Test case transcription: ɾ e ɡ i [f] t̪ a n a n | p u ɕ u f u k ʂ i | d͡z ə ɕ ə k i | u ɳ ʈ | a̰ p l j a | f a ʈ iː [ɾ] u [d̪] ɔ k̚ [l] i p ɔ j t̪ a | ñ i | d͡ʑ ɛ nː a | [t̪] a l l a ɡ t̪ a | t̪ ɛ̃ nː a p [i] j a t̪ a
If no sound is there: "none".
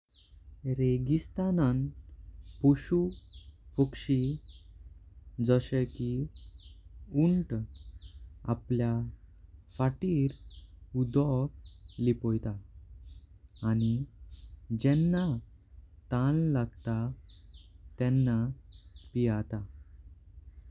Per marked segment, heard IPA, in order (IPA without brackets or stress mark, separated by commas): s, ɾ, d̪, l, t̪, i